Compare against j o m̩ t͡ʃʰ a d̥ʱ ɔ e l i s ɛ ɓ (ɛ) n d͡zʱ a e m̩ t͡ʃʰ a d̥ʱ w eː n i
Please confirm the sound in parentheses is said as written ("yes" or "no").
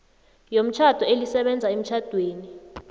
yes